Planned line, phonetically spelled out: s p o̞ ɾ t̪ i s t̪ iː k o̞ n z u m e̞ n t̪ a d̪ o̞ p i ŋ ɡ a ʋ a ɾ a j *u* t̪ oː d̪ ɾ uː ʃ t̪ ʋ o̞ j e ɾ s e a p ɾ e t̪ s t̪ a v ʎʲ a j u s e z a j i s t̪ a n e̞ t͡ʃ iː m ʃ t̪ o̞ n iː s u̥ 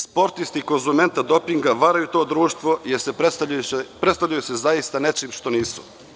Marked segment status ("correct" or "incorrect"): correct